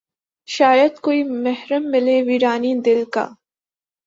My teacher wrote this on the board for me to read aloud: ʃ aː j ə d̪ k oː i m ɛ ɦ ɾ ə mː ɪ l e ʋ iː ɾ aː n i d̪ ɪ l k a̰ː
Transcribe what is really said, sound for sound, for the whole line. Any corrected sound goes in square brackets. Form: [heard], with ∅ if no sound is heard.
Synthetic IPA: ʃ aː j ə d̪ k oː i m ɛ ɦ ɾ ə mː ɪ l e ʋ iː ɾ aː n i d̪ ɪ l k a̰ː